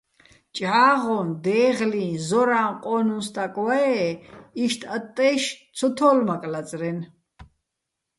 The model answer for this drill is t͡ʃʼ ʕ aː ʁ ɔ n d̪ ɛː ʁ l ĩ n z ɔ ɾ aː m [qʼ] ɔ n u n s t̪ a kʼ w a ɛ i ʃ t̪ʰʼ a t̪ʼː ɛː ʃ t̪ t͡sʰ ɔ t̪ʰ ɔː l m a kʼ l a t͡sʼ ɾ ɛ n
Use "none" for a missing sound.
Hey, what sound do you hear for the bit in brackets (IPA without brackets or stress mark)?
qʼ